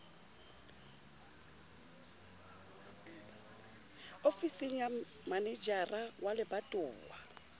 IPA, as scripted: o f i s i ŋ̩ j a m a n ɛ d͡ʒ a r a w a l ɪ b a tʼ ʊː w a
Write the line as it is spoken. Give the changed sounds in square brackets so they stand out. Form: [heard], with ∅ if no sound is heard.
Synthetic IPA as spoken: o f i s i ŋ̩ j a m a n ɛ d͡ʒ a r a w a l ɪ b a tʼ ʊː w a

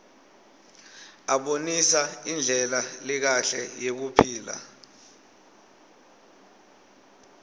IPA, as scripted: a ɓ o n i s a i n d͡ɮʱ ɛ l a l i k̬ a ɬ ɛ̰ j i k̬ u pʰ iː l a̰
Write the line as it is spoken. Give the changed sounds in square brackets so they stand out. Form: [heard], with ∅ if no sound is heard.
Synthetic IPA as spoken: a ɓ o n i s a i n d͡ɮʱ ɛ l a l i k̬ a ɬ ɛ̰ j [e] k̬ u pʰ iː l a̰

